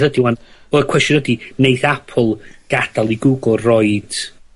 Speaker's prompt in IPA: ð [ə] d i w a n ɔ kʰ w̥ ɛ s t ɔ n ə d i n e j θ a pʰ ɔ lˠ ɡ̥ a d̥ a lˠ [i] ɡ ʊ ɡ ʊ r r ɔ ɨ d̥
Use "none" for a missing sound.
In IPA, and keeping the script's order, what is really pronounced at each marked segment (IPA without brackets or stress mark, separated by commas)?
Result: ə, i